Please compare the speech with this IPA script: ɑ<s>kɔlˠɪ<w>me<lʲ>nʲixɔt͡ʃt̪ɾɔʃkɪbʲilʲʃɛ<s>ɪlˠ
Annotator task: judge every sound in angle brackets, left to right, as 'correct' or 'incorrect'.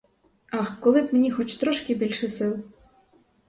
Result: incorrect, incorrect, incorrect, correct

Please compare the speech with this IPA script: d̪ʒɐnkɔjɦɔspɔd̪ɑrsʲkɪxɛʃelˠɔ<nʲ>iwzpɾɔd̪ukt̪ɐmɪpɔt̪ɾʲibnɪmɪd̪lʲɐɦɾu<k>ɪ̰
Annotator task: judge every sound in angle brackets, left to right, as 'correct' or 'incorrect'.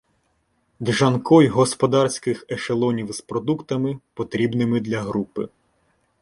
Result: correct, incorrect

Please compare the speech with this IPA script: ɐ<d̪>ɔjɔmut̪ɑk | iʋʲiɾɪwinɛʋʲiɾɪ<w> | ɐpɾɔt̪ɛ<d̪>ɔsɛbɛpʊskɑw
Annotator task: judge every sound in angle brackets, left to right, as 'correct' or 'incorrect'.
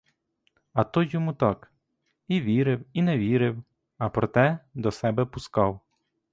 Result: incorrect, correct, correct

